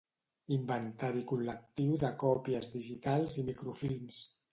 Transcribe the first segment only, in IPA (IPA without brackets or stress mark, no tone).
i